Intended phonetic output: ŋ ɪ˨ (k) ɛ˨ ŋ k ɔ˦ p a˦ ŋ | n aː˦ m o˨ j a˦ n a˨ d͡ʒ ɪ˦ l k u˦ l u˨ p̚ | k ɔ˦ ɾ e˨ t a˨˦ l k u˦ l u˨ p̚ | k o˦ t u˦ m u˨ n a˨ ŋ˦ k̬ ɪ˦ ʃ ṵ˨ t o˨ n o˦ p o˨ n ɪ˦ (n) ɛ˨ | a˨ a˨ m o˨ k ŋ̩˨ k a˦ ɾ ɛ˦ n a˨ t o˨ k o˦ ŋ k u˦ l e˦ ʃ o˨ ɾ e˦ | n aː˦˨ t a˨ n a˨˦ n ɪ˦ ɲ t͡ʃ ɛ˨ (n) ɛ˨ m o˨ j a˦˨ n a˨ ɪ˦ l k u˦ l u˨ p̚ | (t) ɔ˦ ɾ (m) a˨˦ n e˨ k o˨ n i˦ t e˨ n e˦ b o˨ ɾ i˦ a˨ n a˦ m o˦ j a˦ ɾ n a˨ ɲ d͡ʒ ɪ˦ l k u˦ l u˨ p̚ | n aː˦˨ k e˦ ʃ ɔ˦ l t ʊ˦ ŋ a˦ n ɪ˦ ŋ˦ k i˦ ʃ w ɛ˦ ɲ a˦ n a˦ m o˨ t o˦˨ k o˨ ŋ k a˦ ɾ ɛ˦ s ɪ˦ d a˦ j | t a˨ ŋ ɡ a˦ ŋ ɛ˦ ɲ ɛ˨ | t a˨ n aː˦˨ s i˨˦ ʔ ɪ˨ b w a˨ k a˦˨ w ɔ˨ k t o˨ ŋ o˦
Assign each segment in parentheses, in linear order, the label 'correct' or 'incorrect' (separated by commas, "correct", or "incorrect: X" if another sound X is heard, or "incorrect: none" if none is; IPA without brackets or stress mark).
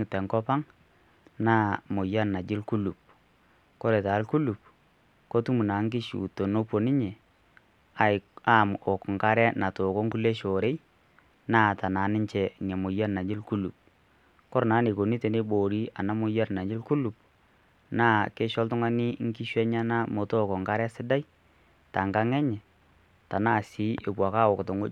incorrect: t, incorrect: ɲ, incorrect: ŋ, incorrect: k, incorrect: n